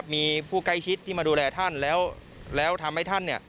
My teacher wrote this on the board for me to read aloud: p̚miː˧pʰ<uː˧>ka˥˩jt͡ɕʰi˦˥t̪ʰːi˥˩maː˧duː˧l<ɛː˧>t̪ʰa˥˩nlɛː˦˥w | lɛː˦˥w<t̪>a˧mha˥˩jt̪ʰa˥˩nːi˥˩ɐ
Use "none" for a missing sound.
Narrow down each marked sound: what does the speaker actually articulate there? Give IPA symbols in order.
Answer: uː˥˩, ɛː˧, t̪ʰ

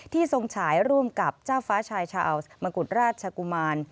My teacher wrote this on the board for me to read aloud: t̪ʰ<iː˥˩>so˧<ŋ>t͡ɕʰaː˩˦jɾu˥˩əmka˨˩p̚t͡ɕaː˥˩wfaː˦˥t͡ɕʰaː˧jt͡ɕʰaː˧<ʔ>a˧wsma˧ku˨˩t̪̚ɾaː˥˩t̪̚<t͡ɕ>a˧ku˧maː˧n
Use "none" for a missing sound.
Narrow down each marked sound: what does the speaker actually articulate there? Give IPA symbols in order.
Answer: iː˥˩, ŋ, ʔ, t͡ɕʰ

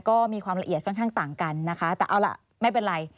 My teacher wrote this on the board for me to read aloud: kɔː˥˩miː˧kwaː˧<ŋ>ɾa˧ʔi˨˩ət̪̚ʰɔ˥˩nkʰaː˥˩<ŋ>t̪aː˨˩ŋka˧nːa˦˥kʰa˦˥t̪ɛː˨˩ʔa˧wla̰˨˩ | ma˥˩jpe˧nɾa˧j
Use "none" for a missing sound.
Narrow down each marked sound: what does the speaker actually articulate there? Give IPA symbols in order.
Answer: m, ŋ

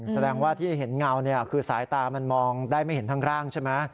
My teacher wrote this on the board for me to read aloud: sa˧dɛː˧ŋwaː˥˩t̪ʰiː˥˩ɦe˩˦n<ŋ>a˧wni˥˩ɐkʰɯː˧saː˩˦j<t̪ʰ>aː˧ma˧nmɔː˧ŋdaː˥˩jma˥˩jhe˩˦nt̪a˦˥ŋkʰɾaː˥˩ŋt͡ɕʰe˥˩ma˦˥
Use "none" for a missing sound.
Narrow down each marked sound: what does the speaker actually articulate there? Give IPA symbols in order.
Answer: ŋ, t̪

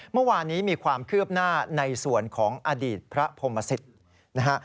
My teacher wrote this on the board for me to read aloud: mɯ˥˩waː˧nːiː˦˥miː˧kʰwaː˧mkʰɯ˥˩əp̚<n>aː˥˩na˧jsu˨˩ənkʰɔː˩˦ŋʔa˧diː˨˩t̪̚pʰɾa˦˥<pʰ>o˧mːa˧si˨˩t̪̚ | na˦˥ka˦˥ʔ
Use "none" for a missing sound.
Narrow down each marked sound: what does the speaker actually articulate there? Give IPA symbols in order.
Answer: n, pʰ

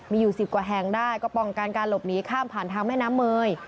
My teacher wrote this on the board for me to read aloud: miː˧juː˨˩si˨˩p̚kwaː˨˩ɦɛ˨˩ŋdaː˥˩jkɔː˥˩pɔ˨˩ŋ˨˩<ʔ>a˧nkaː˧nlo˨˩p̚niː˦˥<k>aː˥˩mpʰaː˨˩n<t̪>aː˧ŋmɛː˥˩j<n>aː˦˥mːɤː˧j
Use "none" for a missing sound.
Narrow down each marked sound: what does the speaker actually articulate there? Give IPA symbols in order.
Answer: k, kʰ, t̪ʰ, n

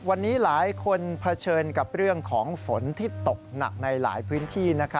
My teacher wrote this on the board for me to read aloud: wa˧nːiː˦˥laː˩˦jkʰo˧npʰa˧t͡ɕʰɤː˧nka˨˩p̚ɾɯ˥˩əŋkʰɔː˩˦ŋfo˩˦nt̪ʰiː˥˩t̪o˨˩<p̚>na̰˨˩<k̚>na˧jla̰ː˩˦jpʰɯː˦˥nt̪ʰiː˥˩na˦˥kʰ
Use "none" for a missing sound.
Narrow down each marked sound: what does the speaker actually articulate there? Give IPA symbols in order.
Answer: k̚, k̚

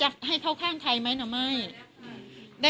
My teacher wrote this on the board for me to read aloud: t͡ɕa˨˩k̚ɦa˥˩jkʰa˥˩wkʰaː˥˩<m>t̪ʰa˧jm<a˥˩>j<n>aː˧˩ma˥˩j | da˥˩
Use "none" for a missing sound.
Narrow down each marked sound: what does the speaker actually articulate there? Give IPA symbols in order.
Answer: ŋ, a˦˥, n

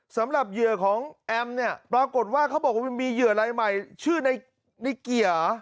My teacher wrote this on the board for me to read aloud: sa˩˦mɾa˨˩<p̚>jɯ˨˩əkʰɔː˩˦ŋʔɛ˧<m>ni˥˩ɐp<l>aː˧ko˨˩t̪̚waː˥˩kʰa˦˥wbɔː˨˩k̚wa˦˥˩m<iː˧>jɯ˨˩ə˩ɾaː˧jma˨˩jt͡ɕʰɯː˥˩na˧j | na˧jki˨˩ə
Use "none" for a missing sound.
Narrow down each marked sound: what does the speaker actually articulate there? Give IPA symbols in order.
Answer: p̚, m, ɾ, iː˧

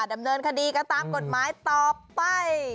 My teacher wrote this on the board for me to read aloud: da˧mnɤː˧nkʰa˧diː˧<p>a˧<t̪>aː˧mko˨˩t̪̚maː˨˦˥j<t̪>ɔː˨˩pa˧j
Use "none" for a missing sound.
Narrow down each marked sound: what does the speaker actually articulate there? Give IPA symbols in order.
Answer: k, t̪, t̪

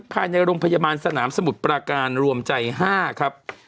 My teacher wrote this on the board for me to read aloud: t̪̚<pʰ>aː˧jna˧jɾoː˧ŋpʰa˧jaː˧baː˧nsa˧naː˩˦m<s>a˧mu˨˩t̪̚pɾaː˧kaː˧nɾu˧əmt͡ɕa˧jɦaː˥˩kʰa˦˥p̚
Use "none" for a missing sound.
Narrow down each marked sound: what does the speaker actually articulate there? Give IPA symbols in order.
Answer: pʰ, s

